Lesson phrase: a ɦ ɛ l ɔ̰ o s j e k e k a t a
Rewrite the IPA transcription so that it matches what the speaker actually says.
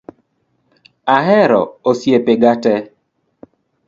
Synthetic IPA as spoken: a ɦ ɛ ɾ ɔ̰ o s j e p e ɡ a t ɛ